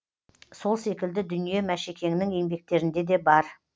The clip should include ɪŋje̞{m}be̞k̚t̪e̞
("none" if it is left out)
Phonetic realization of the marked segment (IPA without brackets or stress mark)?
ŋ